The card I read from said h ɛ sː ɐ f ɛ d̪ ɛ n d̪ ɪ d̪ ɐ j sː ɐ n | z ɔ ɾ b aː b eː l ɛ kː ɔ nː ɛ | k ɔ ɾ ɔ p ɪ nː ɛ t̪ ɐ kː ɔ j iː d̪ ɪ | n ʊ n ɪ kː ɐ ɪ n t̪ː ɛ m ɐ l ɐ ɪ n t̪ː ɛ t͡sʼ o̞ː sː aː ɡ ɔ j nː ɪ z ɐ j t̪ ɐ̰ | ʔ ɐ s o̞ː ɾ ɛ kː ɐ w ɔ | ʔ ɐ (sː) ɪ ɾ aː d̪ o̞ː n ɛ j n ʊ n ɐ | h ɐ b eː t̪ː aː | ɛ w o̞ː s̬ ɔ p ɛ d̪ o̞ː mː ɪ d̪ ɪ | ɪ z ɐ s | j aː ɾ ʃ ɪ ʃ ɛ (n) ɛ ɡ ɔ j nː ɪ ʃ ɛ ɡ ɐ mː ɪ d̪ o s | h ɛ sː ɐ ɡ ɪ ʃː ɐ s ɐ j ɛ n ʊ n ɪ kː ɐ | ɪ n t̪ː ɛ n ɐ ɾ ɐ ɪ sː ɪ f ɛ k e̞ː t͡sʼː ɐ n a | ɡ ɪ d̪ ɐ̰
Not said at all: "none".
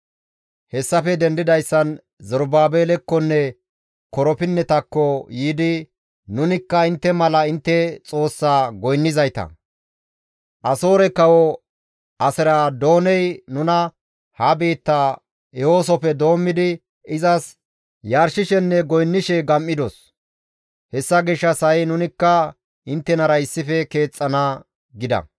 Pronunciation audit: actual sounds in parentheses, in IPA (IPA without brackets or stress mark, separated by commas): s, nː